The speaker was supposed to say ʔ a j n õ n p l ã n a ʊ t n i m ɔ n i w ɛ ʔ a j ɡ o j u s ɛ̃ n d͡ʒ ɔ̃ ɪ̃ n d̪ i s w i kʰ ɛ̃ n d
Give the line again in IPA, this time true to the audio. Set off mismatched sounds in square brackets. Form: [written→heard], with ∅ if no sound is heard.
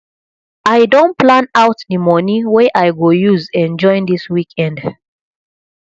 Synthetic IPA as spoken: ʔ a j [n→d] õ n p l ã n a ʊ t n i m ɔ n i w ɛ ʔ a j ɡ o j u [s→z] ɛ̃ n d͡ʒ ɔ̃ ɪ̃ n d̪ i s w i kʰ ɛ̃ n d

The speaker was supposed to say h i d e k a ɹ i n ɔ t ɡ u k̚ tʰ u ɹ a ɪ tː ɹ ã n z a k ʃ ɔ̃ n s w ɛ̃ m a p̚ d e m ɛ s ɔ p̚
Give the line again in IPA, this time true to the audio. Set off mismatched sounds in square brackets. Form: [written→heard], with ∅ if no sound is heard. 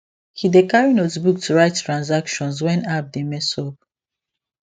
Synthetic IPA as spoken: h i d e k a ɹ i n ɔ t [ɡ→b] u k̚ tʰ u ɹ a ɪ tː ɹ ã n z a k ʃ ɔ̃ n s w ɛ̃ [m→n] a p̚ d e m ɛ s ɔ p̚

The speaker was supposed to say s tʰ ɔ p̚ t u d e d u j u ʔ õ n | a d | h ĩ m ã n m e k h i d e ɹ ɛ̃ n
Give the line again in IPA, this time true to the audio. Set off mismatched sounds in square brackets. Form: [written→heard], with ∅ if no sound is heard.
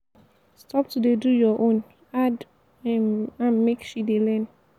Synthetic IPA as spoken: s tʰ ɔ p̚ t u d e d u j [u→ɔ] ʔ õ n | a d | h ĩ m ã n m e k [h→ʃ] i d e [ɹ→l] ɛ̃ n

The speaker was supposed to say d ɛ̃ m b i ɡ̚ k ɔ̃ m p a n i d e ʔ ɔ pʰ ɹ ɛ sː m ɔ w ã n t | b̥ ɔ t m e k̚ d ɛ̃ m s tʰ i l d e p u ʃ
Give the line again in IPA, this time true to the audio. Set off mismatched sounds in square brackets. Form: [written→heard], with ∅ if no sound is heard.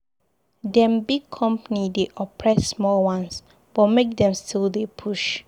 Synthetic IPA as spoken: d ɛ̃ m b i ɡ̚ [k→kʰ] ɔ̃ m p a n i d e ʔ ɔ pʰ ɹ ɛ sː m ɔ w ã n [t→s] | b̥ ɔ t m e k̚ d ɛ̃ m s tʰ i l d e [p→pʰ] u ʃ

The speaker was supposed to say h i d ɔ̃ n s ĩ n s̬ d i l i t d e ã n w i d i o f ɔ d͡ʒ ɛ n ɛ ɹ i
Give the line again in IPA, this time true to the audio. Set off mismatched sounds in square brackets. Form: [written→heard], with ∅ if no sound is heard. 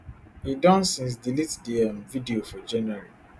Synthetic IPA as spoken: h i d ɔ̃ n s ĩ n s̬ d i l i t d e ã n [w→v] i d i o f ɔ d͡ʒ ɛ n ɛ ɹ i

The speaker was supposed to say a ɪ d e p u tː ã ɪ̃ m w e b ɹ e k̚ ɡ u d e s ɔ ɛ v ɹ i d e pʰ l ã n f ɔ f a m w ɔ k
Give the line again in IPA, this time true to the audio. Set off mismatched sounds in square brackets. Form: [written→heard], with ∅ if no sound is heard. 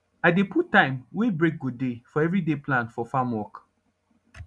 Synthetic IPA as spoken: a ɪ d e p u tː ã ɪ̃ m w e b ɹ e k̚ ɡ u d e [s→f] ɔ ɛ v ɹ i d e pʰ l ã n f ɔ f a m w ɔ k

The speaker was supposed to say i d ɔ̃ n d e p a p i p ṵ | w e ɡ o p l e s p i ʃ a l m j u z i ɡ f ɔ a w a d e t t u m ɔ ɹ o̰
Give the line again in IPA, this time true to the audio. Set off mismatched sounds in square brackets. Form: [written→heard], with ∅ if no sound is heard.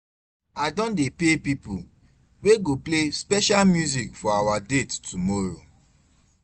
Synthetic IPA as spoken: [i→a] d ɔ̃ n d e p [a→e] p i p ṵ | w e ɡ o p l e s p [i→ɛ] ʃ a l m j u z i [ɡ→k] f ɔ a w a d e t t u m ɔ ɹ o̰

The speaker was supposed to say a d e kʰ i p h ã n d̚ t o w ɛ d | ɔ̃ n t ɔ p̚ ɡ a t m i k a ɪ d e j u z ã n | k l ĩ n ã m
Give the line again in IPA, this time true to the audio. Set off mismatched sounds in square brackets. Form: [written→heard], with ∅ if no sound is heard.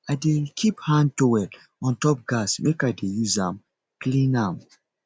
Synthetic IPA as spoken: a d e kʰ i p h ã n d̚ t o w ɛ d | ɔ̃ n t ɔ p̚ ɡ a [t→s] m [i→e] k a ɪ d e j u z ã [n→m] | k l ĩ n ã m

